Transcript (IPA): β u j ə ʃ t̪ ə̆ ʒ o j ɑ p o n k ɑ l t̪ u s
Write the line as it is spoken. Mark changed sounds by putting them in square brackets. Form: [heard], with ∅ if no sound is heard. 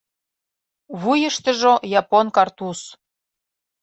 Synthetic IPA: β u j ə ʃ t̪ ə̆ ʒ o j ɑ p o n k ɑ [r] t̪ u s